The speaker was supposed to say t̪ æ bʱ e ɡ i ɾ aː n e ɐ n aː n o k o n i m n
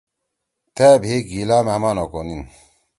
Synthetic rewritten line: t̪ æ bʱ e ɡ i l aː m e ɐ m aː n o k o n i n

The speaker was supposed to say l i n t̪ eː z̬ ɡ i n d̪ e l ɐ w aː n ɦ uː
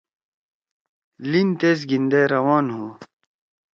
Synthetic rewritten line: l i n t̪ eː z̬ ɡ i n d̪ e ɾ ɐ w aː n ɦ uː

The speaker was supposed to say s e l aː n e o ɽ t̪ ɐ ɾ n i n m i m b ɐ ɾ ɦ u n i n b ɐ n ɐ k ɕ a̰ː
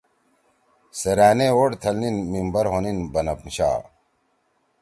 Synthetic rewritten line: s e ɾ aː n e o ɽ t̪ʰ ɐ l n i n m i m b ɐ ɾ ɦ o n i n b ɐ n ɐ p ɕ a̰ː

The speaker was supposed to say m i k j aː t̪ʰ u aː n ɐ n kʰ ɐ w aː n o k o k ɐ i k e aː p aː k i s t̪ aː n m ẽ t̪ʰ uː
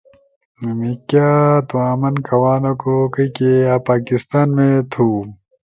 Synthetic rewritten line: m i k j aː t̪ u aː m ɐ n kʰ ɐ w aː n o k o k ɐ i k e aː p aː k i s t̪ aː n m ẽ t̪ʰ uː

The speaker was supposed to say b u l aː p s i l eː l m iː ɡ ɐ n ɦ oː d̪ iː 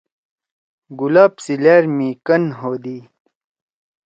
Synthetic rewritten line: ɡ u l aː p s i l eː ɾ m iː k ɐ n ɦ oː d̪ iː

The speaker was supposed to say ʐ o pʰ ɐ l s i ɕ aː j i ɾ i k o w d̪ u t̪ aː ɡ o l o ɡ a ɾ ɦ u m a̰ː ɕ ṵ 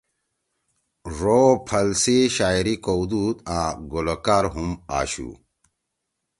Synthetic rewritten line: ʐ o pʰ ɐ l s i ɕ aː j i ɾ i k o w d̪ u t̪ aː ɡ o l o k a ɾ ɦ u m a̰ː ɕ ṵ

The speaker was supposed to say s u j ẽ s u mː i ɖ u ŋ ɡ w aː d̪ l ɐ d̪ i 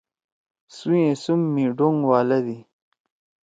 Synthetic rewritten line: s u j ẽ s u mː i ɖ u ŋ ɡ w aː l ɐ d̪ i

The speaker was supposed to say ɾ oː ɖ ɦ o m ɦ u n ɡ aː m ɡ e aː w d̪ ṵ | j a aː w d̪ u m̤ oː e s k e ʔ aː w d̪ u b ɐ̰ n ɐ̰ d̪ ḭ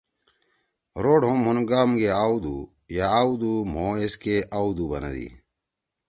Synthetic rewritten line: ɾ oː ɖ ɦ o m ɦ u n ɡ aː m ɡ e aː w d̪ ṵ | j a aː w d̪ u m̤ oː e s k e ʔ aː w d̪ u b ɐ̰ n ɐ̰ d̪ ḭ

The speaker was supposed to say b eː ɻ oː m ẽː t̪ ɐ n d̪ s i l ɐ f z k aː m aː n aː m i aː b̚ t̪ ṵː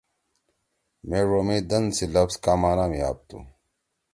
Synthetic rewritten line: m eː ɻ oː m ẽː d̪ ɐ n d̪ s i l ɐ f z k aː m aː n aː m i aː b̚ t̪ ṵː

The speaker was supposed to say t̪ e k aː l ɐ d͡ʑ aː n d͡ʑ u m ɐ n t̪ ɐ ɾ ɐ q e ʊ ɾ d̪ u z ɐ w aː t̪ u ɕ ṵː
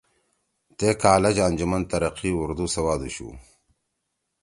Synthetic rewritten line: t̪ e k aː l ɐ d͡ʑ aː n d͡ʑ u m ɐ n t̪ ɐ ɾ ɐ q i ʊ ɾ d̪ u s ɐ w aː d̪ u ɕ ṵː

